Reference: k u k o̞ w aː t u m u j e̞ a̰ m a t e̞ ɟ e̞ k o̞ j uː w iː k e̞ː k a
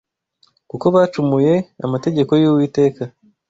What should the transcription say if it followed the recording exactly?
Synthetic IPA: k u k o̞ β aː t͡ʃ u m u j e̞ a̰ m a t e̞ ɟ e̞ k o̞ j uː w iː t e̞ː k a